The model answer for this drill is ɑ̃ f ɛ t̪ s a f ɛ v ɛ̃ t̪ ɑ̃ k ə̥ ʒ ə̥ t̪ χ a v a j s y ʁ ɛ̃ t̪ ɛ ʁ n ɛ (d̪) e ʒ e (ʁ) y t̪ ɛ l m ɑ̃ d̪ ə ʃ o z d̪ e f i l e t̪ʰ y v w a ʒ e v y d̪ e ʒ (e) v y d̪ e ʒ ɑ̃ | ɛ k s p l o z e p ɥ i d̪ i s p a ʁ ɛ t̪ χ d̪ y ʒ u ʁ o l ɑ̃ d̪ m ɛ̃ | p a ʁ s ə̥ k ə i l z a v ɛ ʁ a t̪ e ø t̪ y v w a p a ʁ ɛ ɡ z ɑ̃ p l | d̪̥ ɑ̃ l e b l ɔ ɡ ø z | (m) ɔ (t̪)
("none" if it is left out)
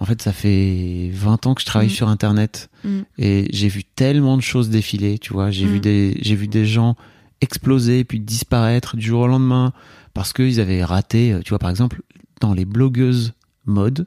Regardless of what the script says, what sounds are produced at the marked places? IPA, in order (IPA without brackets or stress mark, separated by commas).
t̪, v, e, m, d̪